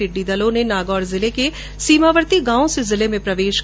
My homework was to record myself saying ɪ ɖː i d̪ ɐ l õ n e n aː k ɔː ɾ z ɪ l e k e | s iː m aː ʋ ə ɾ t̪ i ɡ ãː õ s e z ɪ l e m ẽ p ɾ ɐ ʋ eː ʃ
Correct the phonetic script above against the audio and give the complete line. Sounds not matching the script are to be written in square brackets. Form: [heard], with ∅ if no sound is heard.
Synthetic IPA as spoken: ɪ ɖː i d̪ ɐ l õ n e n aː [ɡ] ɔː ɾ z ɪ l e k e | s iː m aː ʋ ə ɾ t̪ i ɡ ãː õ s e z ɪ l e m ẽ p ɾ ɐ ʋ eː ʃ